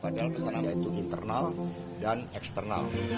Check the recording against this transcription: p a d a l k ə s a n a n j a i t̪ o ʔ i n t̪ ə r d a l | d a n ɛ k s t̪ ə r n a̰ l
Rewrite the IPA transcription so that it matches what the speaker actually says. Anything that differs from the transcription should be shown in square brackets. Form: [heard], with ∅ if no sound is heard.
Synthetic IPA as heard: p a d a l k ə s a n a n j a i t̪ [u] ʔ i n t̪ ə r [n] a l | d a n ɛ k s t̪ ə r n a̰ l

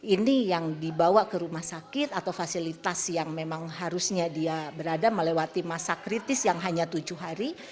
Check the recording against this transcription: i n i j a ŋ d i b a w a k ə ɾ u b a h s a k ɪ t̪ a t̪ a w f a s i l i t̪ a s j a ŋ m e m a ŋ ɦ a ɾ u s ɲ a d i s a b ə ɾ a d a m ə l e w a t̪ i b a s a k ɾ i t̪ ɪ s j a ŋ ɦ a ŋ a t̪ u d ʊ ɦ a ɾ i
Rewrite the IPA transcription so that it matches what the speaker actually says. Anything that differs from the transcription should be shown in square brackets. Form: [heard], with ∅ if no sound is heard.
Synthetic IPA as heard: i n i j a ŋ d i b a w a k ə ɾ u [m] a h s a k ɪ t̪ a t̪ a w f a s i l i t̪ a s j a ŋ m e m a ŋ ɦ a ɾ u s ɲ a d i [∅] a b ə ɾ a d a m ə l e w a t̪ i [m] a s a k ɾ i t̪ ɪ s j a ŋ ɦ a [ɲ] a t̪ u [d͡ʒ] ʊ ɦ a ɾ i

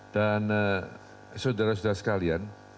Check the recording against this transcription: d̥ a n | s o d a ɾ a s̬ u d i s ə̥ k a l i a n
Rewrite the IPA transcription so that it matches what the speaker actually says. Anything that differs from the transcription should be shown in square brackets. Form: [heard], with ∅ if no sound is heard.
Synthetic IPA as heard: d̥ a n | s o d a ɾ a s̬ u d [a] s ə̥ k a l i a n

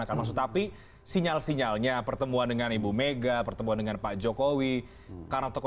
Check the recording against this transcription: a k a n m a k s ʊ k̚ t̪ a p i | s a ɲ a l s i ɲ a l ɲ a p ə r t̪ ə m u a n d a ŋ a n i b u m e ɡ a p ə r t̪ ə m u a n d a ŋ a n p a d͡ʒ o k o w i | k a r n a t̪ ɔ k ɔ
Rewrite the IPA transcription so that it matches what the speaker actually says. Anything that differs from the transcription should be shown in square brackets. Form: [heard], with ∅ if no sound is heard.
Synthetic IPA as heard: a k a n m a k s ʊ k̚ t̪ a p i | s [i] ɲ a l s i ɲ a l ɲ a p ə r t̪ ə m u a n d [ə] ŋ a n i b u m e ɡ a p ə r t̪ ə m u a n d [ə] ŋ a n p a d͡ʒ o k o w i | k a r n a t̪ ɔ k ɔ

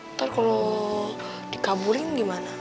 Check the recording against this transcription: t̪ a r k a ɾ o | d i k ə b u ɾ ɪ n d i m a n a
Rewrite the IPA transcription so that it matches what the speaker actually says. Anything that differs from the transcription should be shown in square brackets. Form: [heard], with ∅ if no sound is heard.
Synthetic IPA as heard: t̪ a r k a [l] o | d i k [a] b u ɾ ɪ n [ɡ] i m a n a

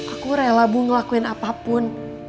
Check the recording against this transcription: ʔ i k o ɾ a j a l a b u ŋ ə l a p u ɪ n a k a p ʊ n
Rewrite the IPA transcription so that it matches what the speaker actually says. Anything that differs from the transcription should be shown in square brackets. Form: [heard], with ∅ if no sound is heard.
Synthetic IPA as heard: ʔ [a] k [u] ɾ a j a l a b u ŋ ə l a [k] u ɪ n a [p] a p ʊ n

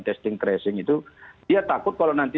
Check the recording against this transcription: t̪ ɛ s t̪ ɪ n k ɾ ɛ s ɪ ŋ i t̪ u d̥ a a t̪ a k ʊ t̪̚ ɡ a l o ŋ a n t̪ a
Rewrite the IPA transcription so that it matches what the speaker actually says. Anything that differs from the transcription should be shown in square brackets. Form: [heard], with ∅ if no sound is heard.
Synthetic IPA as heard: t̪ ɛ s t̪ ɪ [ŋ] k ɾ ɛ s ɪ ŋ i t̪ u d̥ [i] a t̪ a k ʊ t̪̚ [k] a l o [n] a n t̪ [i]

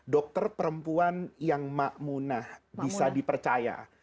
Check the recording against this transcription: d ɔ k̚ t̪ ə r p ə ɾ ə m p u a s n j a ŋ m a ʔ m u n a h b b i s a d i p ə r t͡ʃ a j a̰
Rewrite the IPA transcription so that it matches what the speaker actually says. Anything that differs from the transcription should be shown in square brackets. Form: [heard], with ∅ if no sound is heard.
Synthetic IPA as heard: d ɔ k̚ t̪ ə r p ə ɾ ə m p u a [∅] n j a ŋ m a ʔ m u n a h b b i s a d i p ə r t͡ʃ a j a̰

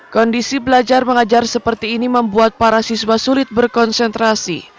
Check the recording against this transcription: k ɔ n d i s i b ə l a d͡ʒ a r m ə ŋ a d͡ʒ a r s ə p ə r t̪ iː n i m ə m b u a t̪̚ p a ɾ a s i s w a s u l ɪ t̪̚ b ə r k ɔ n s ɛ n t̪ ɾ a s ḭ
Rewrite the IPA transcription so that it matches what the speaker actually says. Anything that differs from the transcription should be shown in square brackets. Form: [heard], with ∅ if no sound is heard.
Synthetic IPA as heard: k ɔ n d i s i b ə l a d͡ʒ a r m ə ŋ a d͡ʒ a r s ə p ə r t̪ iː n i m ə m b u a t̪̚ p a ɾ a s i s w a s u l ɪ t̪̚ b ə r k ɔ n s ɛ n t̪ ɾ a s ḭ

